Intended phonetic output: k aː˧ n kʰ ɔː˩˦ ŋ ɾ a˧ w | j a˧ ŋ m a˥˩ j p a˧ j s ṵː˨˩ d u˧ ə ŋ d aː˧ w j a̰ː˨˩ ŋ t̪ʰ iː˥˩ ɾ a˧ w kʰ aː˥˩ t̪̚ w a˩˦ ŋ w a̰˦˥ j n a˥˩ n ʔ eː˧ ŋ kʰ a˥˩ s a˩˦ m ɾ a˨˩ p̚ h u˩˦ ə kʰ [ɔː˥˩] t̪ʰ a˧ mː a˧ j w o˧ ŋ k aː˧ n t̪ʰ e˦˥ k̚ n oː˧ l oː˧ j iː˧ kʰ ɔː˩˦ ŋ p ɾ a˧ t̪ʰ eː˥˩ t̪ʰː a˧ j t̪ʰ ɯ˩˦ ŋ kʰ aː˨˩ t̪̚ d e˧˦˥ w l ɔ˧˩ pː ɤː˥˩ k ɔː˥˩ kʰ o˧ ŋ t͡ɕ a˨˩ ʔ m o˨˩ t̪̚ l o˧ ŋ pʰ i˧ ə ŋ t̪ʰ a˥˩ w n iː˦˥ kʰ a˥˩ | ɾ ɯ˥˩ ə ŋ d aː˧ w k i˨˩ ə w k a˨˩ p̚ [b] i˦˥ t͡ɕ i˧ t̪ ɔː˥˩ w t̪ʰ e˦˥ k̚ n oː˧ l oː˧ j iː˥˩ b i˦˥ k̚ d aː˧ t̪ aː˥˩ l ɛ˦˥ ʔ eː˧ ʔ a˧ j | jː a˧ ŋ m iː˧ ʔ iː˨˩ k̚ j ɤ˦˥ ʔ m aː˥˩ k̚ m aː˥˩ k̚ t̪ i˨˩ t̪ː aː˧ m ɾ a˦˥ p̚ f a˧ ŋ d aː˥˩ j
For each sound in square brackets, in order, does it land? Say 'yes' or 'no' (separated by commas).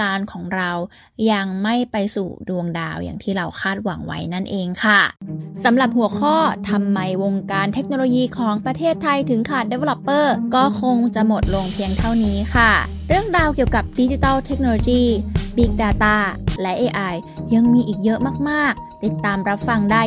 yes, no